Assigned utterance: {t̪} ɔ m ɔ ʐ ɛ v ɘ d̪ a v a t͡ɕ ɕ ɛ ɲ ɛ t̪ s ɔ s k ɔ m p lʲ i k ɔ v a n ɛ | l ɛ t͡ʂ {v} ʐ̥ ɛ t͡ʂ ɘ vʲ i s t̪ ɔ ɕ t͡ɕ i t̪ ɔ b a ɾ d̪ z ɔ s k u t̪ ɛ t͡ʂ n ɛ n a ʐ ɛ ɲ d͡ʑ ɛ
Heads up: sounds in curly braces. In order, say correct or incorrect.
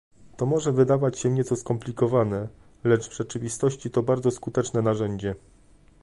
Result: correct, correct

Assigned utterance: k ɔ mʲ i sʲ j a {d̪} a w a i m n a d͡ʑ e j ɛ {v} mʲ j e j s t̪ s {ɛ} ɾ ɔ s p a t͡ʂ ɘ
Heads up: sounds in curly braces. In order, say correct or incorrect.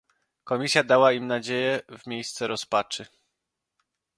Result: correct, correct, correct

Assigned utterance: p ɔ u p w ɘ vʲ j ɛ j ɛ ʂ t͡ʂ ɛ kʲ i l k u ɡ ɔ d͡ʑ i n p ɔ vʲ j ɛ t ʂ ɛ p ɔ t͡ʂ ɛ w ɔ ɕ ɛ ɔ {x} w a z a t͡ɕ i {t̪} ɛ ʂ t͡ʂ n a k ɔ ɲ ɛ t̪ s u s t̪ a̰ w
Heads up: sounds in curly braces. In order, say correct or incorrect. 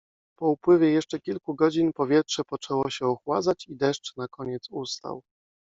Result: correct, incorrect: d̪

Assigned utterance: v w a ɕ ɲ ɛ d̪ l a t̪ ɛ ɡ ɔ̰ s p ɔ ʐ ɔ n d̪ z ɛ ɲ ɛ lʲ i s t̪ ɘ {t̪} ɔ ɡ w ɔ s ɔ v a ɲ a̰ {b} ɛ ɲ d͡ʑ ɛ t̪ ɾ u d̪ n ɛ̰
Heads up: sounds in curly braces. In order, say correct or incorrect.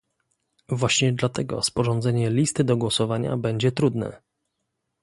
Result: incorrect: d̪, correct

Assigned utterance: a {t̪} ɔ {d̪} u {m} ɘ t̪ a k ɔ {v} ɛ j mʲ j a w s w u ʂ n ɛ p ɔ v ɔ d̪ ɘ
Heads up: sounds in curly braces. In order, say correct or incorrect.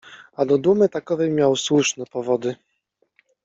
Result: incorrect: d̪, correct, correct, correct

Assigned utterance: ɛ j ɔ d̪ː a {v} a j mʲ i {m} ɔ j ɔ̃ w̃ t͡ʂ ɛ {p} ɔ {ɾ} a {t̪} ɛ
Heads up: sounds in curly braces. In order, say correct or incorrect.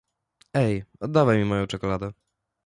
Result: correct, correct, incorrect: k, incorrect: l, incorrect: d̪

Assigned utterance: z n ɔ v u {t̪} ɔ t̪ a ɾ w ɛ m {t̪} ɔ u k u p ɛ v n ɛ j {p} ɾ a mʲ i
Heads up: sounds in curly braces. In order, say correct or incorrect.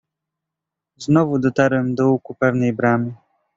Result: incorrect: d̪, incorrect: d̪, incorrect: b

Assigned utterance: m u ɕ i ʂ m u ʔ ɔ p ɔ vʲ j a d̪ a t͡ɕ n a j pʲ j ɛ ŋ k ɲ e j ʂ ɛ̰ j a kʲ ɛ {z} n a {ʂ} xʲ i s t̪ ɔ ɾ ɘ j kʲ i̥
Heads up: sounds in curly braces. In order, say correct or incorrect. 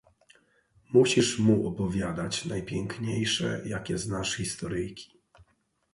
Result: correct, correct

